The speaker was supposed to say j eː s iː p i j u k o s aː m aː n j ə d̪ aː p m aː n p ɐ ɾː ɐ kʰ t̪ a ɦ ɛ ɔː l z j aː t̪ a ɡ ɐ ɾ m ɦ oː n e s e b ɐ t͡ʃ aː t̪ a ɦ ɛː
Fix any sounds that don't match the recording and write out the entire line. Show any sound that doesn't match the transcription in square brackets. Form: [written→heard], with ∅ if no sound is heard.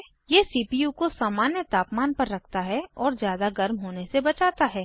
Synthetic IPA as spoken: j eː s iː p i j u k o s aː m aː n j ə [d̪→t̪] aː p m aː n p ɐ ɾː ɐ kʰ t̪ a ɦ ɛ ɔː [l→ɾ] z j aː [t̪→d̪] a ɡ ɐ ɾ m ɦ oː n e s e b ɐ t͡ʃ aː t̪ a ɦ ɛː

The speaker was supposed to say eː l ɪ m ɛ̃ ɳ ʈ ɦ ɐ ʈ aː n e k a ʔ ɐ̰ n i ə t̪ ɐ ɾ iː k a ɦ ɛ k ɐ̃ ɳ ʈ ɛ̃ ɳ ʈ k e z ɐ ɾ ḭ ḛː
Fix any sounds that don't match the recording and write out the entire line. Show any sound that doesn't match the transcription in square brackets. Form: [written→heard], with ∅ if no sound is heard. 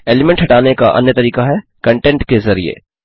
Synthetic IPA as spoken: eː l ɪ m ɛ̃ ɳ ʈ ɦ ɐ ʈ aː n e k a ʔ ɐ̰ n [i→j] ə t̪ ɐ ɾ iː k a ɦ ɛ k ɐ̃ ɳ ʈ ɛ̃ ɳ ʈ k e z ɐ ɾ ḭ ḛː

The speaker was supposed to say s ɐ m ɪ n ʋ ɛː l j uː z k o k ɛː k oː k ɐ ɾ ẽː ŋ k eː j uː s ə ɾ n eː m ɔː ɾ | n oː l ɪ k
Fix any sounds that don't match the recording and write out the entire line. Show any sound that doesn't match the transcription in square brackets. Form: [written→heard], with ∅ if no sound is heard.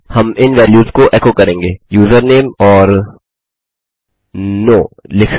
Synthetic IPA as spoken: [s→h] ɐ m ɪ n ʋ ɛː l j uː z k o [k→ʔ] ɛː k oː k ɐ ɾ ẽː ŋ [k→ɡ] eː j uː [s→z] ə ɾ n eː m ɔː ɾ | n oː l ɪ k

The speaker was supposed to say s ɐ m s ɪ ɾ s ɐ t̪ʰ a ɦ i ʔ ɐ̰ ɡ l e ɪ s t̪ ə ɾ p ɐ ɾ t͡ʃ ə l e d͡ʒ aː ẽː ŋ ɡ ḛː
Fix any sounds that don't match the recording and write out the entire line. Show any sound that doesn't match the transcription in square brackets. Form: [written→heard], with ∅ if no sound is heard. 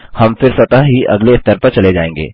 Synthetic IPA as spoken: [s→h] ɐ m [s→f] ɪ ɾ s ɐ [t̪ʰ→t̪] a ɦ i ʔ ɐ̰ ɡ l e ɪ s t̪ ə ɾ p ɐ ɾ t͡ʃ [ə→ɐ] l e d͡ʒ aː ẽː ŋ ɡ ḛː

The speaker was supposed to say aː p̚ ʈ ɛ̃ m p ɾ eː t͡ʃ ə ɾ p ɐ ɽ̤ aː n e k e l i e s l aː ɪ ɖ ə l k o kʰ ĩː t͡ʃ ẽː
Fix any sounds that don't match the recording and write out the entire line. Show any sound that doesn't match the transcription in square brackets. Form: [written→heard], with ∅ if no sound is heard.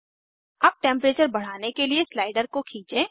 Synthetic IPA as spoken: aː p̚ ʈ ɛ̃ m p ɾ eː t͡ʃ ə ɾ [p→b] ɐ ɽ̤ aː n e k e l i e s l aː ɪ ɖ ə [l→ɾ] k o kʰ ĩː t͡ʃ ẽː

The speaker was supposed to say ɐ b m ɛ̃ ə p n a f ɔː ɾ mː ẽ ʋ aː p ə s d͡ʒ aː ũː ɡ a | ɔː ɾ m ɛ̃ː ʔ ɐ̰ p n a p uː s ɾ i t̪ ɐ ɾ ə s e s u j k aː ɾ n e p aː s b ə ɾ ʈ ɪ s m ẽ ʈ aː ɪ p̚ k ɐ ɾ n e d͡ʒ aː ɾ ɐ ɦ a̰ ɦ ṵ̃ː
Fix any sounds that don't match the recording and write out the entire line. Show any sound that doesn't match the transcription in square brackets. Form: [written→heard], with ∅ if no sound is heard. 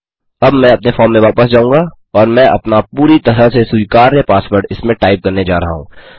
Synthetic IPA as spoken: ɐ b m ɛ̃ [ə→ɐ] p n [a→e] f ɔː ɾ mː ẽ ʋ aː p ə s d͡ʒ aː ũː ɡ a | ɔː ɾ m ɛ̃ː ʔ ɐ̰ p n a p uː [s→∅] ɾ i t̪ ɐ ɾ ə s e s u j k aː ɾ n e p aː s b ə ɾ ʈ ɪ s m ẽ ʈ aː ɪ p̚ k ɐ ɾ n e d͡ʒ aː ɾ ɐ ɦ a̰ ɦ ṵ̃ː

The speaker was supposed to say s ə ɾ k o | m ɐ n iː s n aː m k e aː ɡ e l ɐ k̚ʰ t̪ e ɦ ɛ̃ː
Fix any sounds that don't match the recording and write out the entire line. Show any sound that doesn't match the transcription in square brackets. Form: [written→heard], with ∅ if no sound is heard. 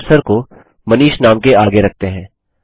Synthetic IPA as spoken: s ə ɾ k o | m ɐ n iː [s→ʃ] n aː m k e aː ɡ e [l→ɾ] ɐ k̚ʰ t̪ e ɦ ɛ̃ː

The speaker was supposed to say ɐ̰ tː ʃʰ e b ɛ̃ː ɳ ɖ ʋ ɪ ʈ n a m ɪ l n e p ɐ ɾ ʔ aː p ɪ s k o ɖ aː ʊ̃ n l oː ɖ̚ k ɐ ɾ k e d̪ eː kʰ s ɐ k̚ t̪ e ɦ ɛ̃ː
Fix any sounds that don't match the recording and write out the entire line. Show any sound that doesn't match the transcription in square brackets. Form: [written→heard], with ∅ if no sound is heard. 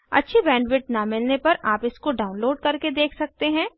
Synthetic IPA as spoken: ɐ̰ tː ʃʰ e b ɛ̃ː ɳ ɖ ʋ ɪ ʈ n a m ɪ l n e p ɐ ɾ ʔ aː p ɪ s k o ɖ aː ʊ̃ n l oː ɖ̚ k ɐ ɾ k e d̪ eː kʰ s ɐ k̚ t̪ e ɦ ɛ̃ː

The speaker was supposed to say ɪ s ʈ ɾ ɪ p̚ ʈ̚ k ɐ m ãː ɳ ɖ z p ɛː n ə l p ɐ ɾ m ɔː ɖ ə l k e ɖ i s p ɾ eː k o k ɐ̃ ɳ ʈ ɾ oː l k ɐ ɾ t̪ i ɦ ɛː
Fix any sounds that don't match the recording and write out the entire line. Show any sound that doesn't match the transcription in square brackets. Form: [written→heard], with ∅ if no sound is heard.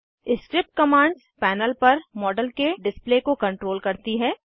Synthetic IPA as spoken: ɪ s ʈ ɾ ɪ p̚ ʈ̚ k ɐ m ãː ɳ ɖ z p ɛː n ə l p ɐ ɾ m ɔː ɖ ə l k e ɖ [i→ɪ] s p [ɾ→l] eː k o k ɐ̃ ɳ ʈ ɾ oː l k ɐ ɾ t̪ i ɦ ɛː

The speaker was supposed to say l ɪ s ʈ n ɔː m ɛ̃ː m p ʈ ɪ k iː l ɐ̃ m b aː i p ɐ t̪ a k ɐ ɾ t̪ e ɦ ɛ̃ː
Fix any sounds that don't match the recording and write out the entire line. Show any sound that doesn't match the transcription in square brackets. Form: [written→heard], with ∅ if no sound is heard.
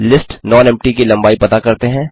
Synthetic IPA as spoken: l ɪ s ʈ n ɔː [m→n] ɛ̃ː m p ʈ [ɪ→i] k [iː→i] l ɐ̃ m b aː i p ɐ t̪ a k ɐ ɾ t̪ e ɦ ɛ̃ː

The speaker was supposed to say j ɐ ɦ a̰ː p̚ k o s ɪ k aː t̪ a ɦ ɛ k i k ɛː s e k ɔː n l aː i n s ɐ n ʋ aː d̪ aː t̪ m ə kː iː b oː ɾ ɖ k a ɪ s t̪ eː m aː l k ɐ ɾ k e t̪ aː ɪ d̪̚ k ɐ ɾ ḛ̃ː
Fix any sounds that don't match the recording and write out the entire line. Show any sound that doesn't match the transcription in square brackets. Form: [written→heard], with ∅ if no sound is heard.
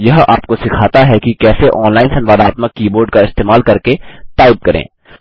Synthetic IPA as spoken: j ɐ ɦ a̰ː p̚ k o s ɪ [k→kʰ] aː t̪ a ɦ ɛ k i k ɛː s e [k→ʔ] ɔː n l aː [i→ɪ] n s ɐ n ʋ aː d̪ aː t̪ m ə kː iː b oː ɾ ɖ k a ɪ s t̪ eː m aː l k ɐ ɾ k e t̪ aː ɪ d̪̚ k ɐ ɾ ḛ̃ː

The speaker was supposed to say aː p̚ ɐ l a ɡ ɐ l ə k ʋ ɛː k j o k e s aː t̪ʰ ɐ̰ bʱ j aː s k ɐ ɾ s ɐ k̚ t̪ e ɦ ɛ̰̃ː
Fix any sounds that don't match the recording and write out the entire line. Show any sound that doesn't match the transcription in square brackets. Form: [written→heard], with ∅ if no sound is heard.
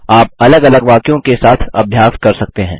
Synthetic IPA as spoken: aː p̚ ɐ l [a→ə] ɡ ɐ l ə [k→ɡ] ʋ [ɛː→aː] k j [o→õ] k e s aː t̪ʰ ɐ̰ bʱ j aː s k ɐ ɾ s ɐ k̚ t̪ e ɦ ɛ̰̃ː

